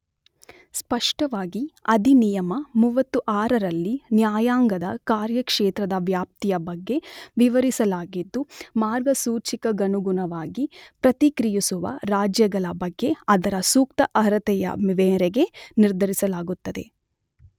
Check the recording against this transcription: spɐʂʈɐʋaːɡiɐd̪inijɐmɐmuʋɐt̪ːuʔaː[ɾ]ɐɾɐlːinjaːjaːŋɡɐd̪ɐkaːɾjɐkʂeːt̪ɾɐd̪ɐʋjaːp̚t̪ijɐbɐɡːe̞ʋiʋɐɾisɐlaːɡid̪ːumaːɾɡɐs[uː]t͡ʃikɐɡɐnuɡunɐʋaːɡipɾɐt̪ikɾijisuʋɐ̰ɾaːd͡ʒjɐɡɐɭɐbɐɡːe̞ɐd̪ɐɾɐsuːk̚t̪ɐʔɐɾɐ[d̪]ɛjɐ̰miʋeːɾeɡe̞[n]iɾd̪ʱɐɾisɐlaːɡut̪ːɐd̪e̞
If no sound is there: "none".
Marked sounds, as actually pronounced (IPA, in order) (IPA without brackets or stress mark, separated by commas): ɾ, uː, t̪, n